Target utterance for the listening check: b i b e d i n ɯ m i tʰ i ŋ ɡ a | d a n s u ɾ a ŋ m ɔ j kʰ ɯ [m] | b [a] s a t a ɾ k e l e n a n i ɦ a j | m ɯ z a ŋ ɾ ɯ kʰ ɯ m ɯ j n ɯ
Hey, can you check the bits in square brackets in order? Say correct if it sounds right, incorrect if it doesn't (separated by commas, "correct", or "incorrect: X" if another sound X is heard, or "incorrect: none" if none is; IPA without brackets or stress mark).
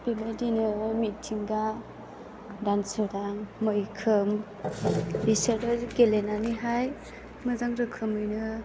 correct, incorrect: i